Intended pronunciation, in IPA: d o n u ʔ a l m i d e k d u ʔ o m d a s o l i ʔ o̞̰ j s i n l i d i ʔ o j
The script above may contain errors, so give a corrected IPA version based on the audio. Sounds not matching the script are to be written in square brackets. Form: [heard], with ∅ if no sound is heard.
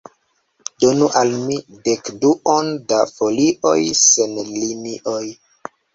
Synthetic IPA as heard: d o n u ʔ a l m i d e k d u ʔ o [n] d a [f] o l i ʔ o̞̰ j s [e] n l i [n] i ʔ o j